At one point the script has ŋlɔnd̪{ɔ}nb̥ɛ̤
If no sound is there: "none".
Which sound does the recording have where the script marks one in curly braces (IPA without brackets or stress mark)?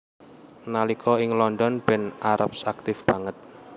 ɔ